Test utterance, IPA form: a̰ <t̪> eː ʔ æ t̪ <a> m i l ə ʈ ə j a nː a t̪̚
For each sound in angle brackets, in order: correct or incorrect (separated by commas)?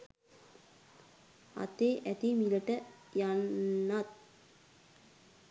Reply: correct, incorrect